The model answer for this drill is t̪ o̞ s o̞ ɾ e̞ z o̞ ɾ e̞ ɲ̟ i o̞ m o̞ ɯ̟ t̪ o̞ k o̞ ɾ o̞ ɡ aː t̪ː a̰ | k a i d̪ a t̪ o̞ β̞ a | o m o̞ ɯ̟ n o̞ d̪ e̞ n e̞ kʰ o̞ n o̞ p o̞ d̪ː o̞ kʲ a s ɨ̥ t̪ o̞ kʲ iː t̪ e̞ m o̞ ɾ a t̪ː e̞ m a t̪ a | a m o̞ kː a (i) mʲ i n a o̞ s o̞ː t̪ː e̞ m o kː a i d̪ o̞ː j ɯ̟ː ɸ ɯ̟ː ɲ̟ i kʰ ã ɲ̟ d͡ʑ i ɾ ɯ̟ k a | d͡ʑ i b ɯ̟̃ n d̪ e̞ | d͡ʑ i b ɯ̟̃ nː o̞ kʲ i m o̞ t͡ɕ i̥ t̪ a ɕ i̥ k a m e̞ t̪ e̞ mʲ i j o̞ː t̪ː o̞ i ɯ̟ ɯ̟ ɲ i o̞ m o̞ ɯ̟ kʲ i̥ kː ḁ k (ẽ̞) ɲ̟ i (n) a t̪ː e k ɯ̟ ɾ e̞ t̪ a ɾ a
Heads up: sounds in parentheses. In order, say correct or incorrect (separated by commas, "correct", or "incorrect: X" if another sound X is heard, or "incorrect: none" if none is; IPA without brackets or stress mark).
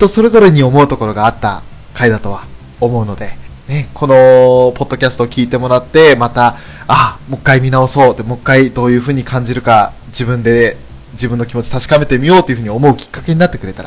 correct, incorrect: e̞, correct